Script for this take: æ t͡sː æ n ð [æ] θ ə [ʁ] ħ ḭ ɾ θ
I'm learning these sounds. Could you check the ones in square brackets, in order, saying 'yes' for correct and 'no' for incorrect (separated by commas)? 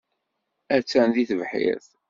no, no